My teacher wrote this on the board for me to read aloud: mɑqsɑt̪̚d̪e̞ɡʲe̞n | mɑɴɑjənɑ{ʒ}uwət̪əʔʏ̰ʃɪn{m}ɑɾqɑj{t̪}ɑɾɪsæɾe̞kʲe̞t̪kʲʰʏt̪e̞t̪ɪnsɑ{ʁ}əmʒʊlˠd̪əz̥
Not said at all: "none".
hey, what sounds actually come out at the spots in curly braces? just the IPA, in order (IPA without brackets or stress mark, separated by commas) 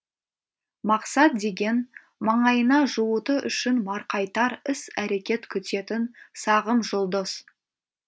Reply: ʒ, m, t̪, ʁ